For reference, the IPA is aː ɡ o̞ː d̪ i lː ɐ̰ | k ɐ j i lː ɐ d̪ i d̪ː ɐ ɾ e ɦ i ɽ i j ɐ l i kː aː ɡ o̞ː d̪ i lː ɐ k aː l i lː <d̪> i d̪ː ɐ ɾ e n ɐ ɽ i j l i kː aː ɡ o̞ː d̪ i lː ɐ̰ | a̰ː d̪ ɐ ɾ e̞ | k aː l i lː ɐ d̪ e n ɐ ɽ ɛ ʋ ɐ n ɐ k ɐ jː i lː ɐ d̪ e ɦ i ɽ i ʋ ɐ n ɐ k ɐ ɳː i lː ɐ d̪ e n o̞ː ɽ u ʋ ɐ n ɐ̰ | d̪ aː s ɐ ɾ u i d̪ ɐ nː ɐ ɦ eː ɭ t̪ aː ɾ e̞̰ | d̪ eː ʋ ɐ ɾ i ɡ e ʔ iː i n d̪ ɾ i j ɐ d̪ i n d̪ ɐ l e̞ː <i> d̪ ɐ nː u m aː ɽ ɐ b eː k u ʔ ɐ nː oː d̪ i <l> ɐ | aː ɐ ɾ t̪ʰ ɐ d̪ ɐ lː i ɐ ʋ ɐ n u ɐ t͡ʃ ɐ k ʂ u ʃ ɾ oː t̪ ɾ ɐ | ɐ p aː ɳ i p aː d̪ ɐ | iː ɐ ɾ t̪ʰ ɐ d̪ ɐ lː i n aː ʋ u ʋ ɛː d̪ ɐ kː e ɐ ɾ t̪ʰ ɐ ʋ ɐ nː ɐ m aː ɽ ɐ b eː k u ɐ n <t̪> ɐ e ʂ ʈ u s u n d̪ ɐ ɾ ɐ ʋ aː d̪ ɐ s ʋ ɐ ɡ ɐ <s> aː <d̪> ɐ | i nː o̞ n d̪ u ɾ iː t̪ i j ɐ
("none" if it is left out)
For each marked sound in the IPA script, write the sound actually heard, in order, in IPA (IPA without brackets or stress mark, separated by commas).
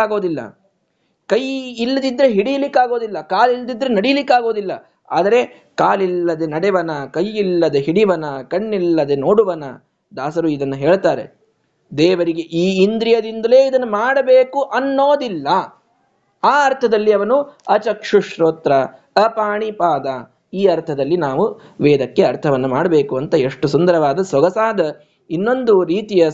d̪, i, lː, t̪, s, d̪